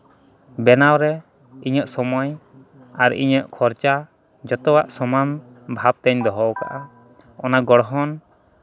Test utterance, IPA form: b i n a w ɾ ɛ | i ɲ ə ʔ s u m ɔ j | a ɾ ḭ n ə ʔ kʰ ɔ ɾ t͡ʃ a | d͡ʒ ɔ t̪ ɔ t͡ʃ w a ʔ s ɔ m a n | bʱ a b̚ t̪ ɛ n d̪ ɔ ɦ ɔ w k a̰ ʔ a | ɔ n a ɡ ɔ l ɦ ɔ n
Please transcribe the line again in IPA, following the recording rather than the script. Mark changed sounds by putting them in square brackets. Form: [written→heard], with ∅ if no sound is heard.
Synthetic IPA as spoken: b [i→ɛ] n a w ɾ ɛ | i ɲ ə ʔ s [u→ɔ] m ɔ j | a ɾ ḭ [n→ɲ] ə ʔ kʰ ɔ ɾ t͡ʃ a | d͡ʒ ɔ t̪ ɔ [t͡ʃ→∅] w a ʔ s ɔ m a n | bʱ a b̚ t̪ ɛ [n→ɲ] d̪ ɔ ɦ ɔ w k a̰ ʔ a | ɔ n a ɡ ɔ [l→ɽ] ɦ ɔ n